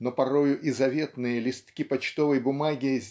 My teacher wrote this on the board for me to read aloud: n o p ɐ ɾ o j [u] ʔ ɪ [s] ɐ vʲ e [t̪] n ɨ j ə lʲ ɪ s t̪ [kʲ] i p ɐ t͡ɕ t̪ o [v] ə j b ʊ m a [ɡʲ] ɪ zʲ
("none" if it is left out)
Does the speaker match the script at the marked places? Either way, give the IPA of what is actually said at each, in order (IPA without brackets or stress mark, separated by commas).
ʊ, z, t̪, kʲ, v, ɡʲ